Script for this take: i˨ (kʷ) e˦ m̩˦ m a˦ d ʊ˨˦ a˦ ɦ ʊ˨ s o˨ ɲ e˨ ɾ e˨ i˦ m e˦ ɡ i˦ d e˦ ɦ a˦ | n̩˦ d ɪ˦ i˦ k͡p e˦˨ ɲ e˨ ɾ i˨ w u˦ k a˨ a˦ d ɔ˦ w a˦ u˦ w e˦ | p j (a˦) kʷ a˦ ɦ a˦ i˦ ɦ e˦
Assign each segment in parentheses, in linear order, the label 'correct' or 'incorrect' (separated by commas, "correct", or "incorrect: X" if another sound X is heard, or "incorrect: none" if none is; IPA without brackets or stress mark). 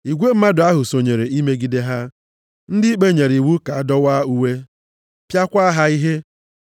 incorrect: ɡʷ, correct